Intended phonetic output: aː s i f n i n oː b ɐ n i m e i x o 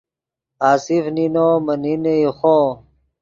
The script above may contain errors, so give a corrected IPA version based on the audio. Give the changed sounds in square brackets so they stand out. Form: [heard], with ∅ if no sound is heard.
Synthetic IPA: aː s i f n i n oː [m] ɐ n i [n] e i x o